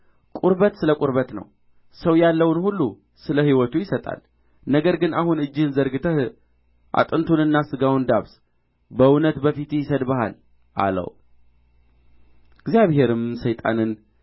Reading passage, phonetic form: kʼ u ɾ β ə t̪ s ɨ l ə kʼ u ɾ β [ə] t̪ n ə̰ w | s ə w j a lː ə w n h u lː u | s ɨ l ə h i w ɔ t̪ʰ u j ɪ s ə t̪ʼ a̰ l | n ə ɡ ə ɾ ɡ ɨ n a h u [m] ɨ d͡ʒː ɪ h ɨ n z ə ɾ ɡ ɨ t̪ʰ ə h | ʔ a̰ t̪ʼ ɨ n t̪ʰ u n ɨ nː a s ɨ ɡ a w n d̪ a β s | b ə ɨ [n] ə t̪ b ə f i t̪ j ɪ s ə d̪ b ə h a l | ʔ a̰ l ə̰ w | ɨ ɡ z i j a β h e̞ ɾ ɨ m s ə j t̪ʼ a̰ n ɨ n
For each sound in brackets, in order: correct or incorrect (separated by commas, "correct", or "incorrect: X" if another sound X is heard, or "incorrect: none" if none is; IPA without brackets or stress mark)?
correct, incorrect: n, correct